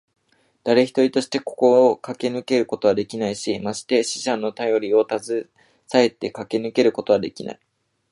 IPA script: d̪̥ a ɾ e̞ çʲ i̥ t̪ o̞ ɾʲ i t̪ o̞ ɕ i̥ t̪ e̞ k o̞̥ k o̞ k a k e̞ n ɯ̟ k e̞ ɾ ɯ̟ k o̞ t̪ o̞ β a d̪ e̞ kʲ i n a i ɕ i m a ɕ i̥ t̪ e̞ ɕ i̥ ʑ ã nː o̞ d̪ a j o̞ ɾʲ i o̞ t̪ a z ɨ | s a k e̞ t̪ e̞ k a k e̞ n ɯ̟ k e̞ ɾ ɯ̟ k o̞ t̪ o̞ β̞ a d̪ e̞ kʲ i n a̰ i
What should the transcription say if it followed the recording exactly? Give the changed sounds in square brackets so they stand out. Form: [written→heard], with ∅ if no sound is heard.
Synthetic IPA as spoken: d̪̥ a ɾ e̞ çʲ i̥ t̪ o̞ ɾʲ i t̪ o̞ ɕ i̥ t̪ e̞ k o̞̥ k o̞ k a k e̞ n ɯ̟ k e̞ ɾ ɯ̟ k o̞ t̪ o̞ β a d̪ e̞ kʲ i n a i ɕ i m a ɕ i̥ t̪ e̞ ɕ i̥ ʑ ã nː o̞ [d̪→t̪] a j o̞ ɾʲ i o̞ t̪ a z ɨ | s a [k→∅] e̞ t̪ e̞ k a k e̞ n ɯ̟ k e̞ ɾ ɯ̟ k o̞ t̪ o̞ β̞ a d̪ e̞ kʲ i n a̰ i